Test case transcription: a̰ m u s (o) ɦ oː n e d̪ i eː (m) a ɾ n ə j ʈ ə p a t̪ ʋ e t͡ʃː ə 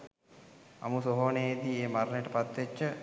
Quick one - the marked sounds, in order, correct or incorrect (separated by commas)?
correct, correct